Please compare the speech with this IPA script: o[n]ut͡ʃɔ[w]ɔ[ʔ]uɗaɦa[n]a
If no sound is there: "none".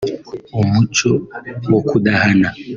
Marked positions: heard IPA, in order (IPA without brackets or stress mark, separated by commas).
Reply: m, w, k, n